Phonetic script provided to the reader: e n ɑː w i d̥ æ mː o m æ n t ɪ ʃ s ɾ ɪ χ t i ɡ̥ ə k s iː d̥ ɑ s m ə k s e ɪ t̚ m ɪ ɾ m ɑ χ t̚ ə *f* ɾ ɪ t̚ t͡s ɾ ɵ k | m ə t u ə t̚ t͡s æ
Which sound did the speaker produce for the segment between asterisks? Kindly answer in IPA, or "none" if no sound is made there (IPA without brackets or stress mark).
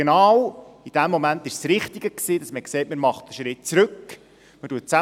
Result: ʃ